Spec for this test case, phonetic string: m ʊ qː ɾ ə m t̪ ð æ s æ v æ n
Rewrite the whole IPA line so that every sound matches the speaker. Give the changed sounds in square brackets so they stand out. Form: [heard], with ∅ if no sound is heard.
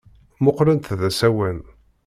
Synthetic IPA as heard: m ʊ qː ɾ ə [n] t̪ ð æ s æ [w] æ n